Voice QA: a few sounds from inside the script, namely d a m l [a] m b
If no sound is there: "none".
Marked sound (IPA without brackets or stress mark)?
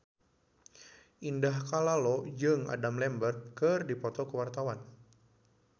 ɛ